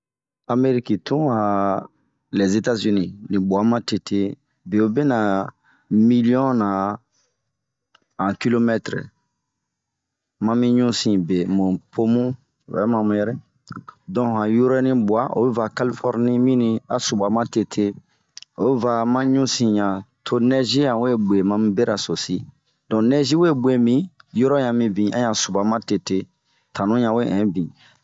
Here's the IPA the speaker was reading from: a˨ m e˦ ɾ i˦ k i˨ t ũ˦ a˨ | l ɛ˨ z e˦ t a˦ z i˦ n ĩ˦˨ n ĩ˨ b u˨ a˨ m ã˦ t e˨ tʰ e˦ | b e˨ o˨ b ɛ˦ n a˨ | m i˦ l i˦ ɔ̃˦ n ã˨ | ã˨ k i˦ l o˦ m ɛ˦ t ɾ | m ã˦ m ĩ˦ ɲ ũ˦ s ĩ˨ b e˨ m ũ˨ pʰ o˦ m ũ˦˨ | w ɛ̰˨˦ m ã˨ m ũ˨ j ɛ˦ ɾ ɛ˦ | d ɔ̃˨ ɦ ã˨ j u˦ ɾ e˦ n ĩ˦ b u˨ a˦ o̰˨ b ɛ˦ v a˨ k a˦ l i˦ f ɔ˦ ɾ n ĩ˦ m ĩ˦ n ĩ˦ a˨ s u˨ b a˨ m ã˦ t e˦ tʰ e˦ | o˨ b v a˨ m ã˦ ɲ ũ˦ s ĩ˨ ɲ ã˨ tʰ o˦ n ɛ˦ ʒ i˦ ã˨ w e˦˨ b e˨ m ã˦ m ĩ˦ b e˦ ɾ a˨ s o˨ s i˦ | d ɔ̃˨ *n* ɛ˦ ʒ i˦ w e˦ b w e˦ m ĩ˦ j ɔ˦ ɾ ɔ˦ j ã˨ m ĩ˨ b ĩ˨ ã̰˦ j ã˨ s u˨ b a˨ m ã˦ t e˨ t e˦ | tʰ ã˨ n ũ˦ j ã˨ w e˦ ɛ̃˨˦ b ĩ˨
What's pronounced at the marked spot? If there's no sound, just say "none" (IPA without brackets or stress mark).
n